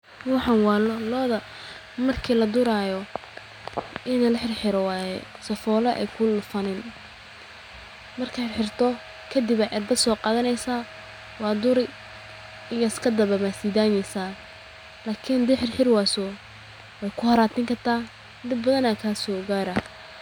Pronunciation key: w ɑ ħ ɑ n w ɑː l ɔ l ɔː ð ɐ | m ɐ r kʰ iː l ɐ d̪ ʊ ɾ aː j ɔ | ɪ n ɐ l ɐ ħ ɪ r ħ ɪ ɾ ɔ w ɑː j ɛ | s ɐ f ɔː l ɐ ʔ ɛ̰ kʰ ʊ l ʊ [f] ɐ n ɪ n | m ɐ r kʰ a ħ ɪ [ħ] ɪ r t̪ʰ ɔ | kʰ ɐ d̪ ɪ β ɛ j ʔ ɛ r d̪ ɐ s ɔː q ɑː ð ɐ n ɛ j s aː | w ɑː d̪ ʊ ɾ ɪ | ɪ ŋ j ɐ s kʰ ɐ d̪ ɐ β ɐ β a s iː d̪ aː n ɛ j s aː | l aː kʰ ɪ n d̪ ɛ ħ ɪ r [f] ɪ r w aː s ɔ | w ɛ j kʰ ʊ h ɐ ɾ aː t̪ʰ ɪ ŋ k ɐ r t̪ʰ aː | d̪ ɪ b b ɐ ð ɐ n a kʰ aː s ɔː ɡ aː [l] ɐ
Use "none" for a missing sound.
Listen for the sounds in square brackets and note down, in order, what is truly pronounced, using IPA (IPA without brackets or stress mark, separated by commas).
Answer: f, ħ, ħ, ɾ